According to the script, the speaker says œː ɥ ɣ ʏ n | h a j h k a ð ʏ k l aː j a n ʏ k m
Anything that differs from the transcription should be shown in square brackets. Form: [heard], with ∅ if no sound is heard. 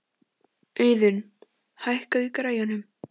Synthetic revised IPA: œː ɥ [ð] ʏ n | h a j h k a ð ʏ k [ɾ] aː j a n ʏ [∅] m